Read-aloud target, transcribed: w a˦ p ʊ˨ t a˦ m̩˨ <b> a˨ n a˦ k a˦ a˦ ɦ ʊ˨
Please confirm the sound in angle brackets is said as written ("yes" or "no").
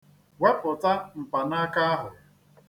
no